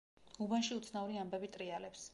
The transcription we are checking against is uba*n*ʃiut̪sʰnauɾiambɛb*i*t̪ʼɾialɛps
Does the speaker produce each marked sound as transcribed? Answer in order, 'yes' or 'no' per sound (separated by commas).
yes, yes